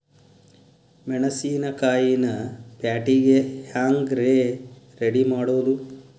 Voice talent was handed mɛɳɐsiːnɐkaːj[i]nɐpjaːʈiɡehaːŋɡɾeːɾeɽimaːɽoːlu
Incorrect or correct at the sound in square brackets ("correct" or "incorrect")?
correct